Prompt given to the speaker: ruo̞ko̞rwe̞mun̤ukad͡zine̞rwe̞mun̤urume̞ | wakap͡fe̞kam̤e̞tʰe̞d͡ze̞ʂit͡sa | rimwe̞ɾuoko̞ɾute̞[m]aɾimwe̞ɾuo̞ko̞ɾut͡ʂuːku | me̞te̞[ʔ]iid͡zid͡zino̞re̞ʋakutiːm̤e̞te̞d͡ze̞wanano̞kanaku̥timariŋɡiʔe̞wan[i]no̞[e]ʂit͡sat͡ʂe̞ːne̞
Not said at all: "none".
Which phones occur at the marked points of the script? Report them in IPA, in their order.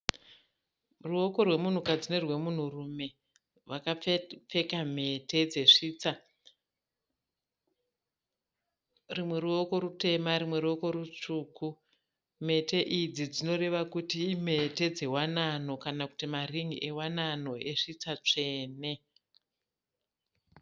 m, ʔ, a, e

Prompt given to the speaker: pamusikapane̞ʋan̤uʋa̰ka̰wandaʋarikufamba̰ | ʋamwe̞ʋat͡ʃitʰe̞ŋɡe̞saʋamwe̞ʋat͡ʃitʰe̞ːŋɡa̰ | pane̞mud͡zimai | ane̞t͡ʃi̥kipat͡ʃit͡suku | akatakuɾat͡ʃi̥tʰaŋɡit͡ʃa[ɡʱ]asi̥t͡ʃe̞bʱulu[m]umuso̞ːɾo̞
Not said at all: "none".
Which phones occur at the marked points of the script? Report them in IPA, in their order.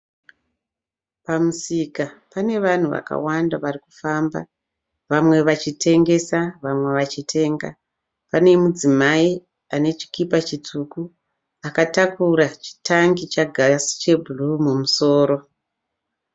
ɡʱ, m

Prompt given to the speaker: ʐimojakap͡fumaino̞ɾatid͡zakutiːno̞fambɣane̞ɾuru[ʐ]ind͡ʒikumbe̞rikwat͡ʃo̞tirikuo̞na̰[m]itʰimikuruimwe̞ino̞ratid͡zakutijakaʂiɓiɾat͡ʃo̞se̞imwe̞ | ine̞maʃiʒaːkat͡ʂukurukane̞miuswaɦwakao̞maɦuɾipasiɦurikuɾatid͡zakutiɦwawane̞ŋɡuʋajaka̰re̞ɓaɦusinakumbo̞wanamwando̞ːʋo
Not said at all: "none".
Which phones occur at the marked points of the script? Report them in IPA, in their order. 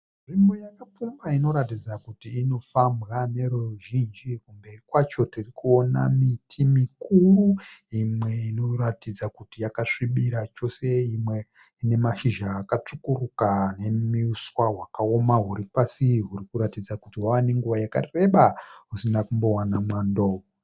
ʒ, m

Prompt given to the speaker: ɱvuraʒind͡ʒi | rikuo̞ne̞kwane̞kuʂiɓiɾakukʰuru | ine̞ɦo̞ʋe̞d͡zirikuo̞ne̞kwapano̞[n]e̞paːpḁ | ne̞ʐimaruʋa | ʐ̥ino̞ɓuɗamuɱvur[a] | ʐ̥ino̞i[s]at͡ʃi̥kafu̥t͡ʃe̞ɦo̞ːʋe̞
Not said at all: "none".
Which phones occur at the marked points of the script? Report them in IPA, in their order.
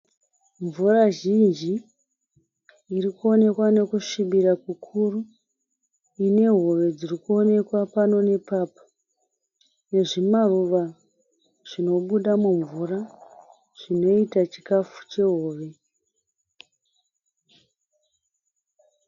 n, a, t

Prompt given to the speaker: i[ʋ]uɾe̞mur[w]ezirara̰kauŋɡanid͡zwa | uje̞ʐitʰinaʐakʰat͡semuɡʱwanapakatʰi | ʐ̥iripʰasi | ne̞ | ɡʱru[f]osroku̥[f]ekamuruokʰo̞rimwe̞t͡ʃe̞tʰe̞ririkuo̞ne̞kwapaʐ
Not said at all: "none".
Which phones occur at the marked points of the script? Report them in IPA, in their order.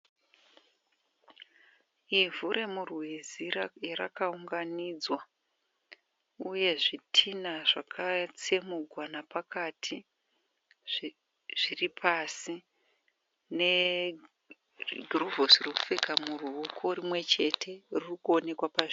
v, w, v, f

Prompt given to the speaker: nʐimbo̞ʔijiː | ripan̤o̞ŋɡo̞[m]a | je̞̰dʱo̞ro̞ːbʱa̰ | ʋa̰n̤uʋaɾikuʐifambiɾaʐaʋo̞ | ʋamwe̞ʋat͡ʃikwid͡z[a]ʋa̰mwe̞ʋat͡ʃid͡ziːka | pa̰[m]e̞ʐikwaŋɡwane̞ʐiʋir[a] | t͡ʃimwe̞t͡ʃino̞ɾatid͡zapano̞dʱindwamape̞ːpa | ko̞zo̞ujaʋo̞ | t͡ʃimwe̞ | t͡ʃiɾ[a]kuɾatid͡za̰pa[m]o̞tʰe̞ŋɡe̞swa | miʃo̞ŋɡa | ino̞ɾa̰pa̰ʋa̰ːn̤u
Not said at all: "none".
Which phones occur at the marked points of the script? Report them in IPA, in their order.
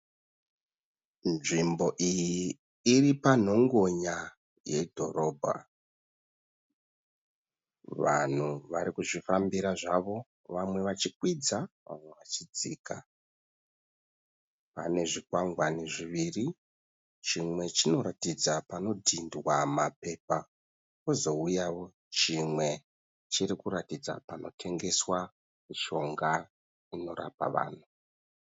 ɲ, a, n, i, i, n

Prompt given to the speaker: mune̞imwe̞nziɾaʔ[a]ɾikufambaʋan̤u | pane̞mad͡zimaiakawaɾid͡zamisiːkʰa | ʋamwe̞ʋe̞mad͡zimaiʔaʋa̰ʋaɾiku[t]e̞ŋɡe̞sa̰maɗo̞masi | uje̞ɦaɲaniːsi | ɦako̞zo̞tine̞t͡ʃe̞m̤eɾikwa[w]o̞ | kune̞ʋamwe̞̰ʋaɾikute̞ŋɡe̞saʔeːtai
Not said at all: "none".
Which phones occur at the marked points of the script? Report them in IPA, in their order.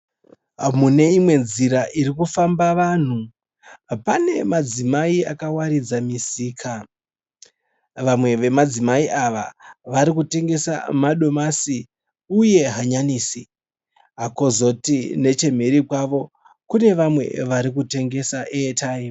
i, t, ʋ

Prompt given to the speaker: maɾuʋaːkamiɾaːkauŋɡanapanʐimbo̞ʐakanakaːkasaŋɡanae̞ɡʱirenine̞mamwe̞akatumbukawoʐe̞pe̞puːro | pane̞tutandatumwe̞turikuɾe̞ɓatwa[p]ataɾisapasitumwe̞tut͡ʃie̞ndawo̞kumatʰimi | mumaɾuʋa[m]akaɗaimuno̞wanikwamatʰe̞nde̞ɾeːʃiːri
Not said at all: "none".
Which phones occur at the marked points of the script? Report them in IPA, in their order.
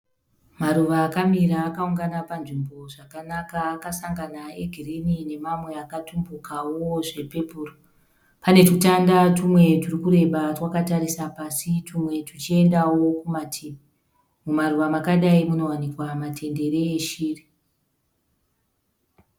k, m

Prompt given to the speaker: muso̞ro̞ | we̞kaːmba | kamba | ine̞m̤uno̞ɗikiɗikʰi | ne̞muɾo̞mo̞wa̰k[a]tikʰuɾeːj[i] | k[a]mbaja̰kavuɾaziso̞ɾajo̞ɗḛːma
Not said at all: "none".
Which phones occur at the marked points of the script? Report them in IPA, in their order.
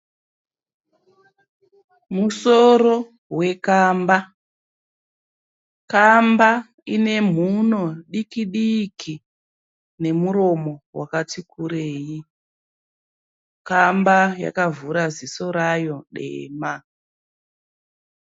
a, i, a

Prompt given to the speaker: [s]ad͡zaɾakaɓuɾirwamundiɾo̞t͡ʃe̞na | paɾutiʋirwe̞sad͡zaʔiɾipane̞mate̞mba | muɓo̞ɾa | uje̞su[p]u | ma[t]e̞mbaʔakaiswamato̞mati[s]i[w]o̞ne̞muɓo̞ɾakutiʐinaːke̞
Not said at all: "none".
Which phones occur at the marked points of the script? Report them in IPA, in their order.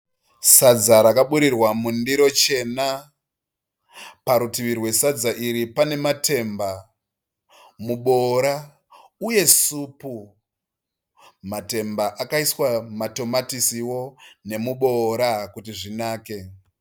s, p, t, s, w

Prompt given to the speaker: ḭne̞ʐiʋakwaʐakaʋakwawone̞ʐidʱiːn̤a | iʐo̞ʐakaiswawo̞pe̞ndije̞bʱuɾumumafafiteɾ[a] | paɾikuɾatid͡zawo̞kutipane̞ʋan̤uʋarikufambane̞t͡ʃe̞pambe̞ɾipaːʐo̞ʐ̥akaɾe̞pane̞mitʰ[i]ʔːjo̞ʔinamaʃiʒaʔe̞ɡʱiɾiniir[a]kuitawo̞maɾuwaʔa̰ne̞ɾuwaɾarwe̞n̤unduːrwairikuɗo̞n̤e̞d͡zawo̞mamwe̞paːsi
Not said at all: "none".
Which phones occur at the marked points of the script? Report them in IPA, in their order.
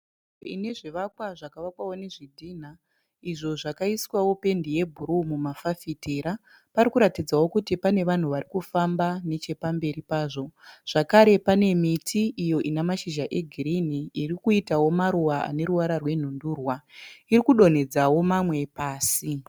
a, i, i

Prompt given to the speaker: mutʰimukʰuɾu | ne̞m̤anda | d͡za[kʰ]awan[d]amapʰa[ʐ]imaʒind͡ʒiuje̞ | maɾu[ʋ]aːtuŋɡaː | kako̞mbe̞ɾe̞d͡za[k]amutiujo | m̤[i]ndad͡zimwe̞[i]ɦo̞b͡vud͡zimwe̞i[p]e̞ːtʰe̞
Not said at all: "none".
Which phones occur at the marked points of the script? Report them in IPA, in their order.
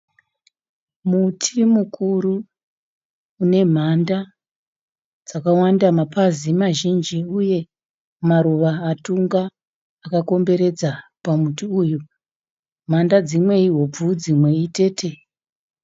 k, d, z, ʋ, p, a, i, t

